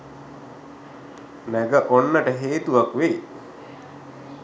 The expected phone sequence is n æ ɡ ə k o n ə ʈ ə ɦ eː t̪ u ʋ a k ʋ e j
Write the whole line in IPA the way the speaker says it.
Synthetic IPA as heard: n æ ɡ ə ʔ o nː ə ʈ ə ɦ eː t̪ u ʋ a k ʋ e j